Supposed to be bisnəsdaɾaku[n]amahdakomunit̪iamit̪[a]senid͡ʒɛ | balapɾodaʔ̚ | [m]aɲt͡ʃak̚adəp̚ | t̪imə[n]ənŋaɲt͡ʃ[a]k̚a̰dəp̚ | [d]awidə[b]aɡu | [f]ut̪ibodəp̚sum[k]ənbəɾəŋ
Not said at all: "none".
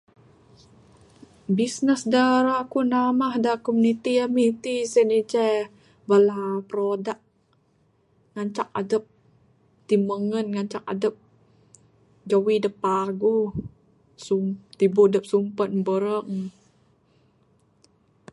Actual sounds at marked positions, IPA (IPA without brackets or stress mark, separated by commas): n, i, ŋ, ŋ, a, d͡ʒ, p, s, p